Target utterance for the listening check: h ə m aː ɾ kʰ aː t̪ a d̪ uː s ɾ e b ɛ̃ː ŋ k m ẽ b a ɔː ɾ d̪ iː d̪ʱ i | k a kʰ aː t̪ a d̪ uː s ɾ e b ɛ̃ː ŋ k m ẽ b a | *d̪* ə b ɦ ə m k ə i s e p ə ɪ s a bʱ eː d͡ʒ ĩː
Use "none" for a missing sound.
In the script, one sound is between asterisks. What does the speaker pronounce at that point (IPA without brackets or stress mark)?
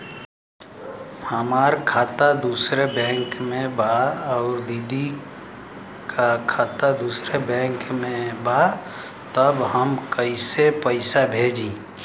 t̪